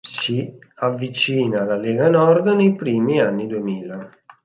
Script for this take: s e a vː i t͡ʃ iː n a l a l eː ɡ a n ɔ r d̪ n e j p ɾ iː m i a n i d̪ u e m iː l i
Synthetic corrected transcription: s i a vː i t͡ʃ iː n a l a l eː ɡ a n ɔ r d̪ n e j p ɾ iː m i a nː i d̪ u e m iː l a